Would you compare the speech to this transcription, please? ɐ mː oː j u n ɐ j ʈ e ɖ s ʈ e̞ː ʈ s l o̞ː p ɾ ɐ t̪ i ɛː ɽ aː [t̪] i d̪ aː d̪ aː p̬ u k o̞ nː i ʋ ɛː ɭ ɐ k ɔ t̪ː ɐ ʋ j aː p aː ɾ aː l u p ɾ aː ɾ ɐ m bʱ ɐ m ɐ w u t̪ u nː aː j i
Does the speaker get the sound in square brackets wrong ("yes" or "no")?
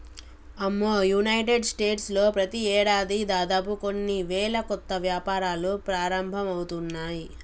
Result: yes